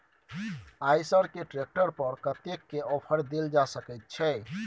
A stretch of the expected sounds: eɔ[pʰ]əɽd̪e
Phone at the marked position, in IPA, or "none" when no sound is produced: pʰ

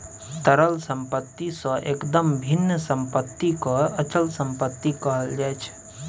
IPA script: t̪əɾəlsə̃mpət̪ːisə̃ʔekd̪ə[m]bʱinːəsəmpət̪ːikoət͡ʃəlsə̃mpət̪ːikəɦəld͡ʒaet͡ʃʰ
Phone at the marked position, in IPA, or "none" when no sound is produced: m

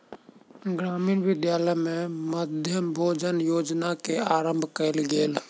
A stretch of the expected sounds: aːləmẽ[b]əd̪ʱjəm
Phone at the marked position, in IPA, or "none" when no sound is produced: m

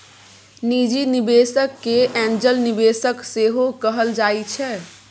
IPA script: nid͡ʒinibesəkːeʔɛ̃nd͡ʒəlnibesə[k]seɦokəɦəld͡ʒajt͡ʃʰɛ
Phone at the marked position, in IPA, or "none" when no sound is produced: k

